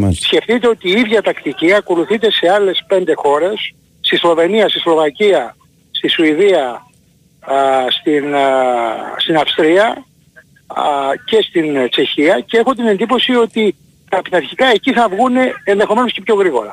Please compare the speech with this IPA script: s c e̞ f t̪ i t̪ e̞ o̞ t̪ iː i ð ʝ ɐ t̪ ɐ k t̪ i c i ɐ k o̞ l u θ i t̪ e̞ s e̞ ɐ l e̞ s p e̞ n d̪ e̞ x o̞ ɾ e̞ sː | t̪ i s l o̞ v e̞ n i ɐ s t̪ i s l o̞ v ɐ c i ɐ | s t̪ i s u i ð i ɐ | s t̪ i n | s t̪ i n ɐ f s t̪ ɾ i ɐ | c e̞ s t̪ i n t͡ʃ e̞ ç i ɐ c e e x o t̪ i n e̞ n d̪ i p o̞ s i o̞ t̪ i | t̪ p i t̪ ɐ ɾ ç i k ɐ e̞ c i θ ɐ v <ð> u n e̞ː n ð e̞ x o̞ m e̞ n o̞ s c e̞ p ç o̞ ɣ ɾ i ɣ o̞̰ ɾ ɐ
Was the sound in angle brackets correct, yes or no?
no